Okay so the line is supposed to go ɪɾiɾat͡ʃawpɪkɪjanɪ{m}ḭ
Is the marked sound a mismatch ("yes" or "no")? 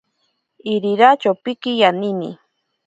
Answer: yes